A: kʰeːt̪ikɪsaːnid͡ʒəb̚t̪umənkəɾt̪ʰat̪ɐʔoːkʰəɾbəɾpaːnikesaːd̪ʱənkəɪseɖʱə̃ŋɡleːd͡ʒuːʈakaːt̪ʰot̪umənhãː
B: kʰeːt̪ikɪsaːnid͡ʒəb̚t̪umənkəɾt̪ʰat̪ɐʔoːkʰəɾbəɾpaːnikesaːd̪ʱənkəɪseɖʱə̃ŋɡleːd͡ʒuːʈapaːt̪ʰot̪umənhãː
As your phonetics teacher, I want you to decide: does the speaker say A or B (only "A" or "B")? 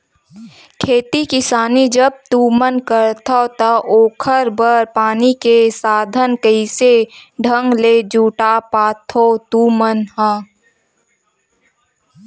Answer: B